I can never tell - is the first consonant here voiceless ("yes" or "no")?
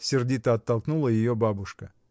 yes